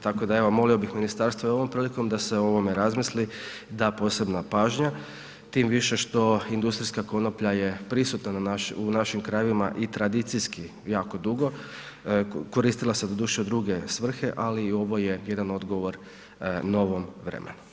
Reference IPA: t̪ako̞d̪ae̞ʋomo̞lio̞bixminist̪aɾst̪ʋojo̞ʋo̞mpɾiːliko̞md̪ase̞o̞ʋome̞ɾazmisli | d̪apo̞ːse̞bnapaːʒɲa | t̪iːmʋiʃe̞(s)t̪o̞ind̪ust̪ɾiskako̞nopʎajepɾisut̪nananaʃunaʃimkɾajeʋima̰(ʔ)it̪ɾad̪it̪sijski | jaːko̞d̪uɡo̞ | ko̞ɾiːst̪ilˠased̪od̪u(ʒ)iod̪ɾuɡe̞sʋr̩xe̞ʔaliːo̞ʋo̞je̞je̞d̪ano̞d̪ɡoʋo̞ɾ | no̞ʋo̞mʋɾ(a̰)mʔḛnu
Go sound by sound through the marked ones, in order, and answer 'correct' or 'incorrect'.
incorrect, correct, incorrect, incorrect

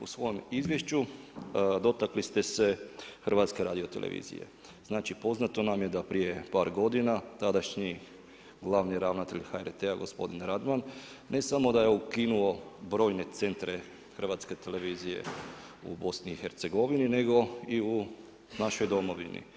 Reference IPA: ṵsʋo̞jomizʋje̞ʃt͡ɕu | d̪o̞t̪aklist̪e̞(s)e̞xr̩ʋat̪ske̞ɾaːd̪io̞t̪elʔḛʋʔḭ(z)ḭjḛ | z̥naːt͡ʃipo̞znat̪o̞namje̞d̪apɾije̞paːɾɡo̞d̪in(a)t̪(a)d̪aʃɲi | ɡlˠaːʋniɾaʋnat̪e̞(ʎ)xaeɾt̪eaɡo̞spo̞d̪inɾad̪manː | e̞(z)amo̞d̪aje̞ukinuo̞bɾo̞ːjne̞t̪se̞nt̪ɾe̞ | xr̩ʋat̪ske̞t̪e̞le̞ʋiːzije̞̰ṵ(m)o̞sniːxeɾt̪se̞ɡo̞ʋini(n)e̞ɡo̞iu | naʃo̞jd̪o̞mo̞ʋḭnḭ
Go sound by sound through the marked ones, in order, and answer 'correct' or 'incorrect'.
correct, correct, correct, correct, correct, incorrect, incorrect, correct

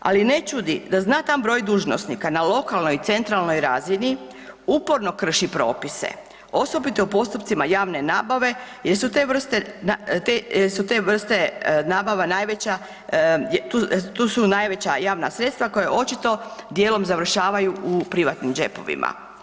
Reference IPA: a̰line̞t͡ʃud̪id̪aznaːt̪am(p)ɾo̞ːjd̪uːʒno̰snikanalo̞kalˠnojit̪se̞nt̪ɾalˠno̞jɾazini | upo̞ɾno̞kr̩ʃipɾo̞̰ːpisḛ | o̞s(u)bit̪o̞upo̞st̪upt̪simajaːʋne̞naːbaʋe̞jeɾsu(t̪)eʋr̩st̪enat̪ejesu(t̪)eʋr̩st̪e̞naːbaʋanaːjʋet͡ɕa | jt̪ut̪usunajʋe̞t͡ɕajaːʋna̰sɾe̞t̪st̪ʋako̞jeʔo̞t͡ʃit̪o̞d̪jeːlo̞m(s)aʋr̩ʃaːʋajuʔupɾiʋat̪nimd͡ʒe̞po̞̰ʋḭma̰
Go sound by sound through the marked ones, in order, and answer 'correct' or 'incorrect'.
incorrect, incorrect, correct, correct, incorrect

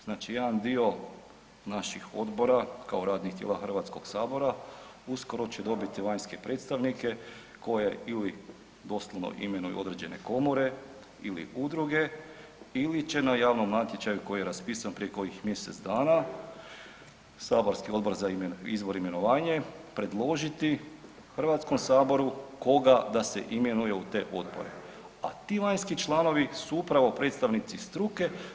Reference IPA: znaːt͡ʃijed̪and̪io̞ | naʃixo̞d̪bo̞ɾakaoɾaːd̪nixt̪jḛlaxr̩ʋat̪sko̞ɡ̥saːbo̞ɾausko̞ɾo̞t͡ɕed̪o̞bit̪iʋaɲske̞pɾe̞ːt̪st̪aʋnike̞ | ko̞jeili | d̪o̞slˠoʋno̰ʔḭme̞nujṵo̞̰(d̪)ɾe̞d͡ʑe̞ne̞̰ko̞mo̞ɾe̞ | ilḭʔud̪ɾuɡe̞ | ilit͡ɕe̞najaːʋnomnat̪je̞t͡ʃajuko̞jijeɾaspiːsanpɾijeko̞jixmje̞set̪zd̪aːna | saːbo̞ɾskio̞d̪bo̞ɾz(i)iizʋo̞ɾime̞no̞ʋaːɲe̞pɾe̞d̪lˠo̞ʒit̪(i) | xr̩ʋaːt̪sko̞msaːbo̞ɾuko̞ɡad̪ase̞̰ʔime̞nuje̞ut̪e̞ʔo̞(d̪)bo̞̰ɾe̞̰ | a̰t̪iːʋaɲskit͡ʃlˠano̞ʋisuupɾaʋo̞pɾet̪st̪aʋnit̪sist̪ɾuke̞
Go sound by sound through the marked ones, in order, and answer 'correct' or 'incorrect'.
correct, incorrect, correct, correct

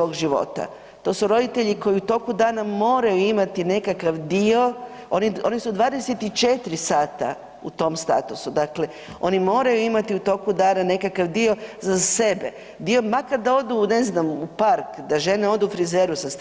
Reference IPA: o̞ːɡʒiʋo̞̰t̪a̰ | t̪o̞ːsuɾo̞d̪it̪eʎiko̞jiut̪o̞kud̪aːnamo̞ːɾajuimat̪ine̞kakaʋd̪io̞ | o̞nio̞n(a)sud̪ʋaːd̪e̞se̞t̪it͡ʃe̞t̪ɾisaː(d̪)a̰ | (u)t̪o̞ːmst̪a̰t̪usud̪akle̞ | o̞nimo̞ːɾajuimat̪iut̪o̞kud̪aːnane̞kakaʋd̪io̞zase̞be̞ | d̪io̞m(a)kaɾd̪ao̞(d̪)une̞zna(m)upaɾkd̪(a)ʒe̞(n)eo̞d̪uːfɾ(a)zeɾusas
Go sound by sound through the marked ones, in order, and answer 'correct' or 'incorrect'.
incorrect, incorrect, correct, correct, correct, correct, correct, correct, incorrect

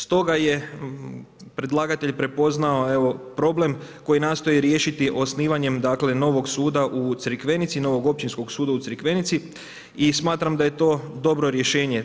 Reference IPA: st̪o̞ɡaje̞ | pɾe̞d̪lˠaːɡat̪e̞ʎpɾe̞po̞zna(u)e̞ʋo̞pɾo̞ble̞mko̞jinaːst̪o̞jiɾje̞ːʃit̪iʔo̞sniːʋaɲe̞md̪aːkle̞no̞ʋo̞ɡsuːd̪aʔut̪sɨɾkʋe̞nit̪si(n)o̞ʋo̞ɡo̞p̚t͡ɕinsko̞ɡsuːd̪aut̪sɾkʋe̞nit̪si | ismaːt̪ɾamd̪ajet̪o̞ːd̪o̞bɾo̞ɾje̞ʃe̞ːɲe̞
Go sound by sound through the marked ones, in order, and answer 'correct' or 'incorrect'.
incorrect, correct

